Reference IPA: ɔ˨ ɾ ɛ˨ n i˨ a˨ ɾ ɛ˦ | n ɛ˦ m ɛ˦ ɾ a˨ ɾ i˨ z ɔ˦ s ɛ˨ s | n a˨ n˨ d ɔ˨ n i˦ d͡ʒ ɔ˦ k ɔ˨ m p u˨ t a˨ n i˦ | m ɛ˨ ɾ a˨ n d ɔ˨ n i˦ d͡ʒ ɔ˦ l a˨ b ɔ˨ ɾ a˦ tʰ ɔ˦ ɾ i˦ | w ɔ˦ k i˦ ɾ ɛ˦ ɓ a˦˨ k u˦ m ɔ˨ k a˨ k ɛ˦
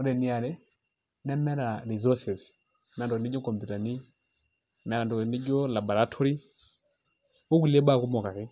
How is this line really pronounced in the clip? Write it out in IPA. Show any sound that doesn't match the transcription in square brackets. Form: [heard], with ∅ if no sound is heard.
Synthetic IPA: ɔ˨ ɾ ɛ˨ n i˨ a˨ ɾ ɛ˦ | n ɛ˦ m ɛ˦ ɾ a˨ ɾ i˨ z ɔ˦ s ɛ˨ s | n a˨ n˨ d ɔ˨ n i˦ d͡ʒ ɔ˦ k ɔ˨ m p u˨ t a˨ n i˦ | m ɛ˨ ɾ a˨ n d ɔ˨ n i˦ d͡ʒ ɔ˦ l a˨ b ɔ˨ ɾ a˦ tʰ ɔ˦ ɾ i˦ | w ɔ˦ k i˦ [l] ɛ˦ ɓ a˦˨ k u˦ m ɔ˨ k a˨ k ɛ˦